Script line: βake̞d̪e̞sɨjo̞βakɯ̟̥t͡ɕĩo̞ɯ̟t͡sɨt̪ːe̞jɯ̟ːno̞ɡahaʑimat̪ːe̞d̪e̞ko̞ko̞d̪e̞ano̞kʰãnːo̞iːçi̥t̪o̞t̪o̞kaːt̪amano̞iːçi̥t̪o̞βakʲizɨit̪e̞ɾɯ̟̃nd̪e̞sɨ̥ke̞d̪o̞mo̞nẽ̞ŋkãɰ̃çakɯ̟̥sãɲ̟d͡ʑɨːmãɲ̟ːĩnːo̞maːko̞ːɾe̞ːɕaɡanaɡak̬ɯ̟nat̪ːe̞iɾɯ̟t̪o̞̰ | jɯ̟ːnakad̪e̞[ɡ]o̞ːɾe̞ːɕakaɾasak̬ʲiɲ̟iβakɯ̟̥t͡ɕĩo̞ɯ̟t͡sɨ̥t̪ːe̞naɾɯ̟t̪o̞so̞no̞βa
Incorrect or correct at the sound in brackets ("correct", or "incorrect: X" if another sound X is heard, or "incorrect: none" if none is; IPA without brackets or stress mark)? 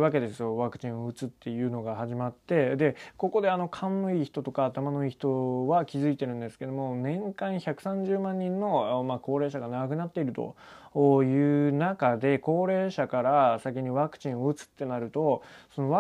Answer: incorrect: k